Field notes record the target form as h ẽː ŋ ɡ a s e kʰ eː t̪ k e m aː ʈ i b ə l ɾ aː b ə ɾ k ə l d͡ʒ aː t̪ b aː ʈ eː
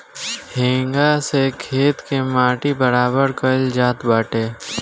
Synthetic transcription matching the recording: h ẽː ŋ ɡ a s e kʰ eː t̪ k e m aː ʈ i b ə ɾ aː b ə ɾ k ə l d͡ʒ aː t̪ b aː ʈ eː